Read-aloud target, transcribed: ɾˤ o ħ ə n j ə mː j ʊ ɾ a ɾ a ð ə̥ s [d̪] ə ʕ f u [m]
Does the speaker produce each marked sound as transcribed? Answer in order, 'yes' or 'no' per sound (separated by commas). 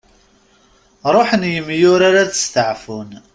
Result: no, no